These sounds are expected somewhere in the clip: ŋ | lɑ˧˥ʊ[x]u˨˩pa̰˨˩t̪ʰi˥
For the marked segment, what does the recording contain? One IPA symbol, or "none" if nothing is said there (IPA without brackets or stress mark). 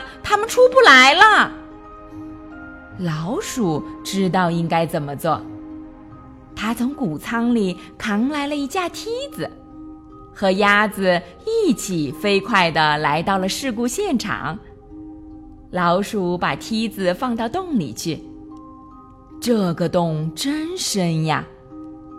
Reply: ʂ